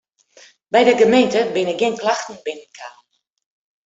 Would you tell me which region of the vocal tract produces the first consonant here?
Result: lips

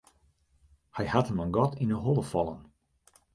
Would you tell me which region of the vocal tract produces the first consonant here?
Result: throat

